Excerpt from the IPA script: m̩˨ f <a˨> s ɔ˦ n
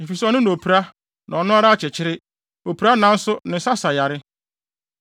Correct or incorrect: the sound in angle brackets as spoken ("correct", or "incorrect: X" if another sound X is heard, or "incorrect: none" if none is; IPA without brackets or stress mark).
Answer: incorrect: i˨